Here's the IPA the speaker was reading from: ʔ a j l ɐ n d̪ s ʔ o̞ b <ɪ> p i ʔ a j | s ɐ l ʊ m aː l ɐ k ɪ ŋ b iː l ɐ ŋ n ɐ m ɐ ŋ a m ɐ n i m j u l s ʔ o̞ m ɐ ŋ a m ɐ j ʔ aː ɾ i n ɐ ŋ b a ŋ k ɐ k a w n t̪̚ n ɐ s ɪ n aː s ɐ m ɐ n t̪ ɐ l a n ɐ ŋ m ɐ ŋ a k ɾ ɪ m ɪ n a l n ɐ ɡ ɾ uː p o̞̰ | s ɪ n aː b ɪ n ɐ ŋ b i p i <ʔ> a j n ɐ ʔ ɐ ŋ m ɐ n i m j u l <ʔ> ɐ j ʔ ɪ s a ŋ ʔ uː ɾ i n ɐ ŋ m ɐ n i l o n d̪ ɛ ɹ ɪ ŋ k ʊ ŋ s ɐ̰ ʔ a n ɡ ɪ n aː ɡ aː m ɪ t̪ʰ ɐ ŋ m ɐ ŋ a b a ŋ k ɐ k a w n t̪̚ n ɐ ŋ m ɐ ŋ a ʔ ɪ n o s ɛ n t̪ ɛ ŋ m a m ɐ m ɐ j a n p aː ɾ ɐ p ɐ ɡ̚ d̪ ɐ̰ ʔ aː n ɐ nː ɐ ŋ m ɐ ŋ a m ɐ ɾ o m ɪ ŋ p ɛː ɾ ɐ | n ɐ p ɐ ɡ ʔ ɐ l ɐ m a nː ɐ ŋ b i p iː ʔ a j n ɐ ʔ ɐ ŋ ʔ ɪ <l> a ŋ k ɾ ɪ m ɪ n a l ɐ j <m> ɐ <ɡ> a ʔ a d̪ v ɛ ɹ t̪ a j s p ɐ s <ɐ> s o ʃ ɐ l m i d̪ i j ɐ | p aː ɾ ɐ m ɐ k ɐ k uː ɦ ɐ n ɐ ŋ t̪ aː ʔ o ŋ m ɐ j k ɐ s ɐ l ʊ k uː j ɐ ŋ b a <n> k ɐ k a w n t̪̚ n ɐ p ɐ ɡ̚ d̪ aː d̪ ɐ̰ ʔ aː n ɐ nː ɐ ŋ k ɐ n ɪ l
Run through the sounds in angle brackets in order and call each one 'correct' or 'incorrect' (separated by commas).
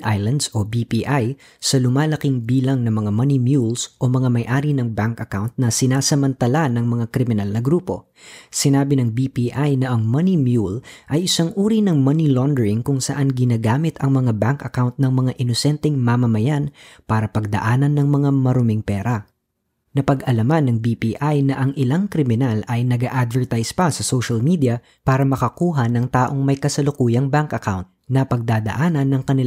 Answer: incorrect, correct, correct, correct, incorrect, correct, correct, incorrect